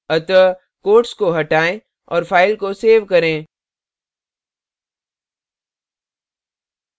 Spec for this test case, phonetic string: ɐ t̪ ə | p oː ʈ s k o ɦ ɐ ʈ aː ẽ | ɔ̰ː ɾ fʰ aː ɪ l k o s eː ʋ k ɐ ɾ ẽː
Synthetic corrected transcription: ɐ t̪ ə | k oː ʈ s k o ɦ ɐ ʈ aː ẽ | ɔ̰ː ɾ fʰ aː ɪ l k o s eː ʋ k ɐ ɾ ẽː